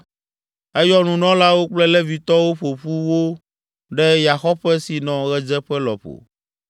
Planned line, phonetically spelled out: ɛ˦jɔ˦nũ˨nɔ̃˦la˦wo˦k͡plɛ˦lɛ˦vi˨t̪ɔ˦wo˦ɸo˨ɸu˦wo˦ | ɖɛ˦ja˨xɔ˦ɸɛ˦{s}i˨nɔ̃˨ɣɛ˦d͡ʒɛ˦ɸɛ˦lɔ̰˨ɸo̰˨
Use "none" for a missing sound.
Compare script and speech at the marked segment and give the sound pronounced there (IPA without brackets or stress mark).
s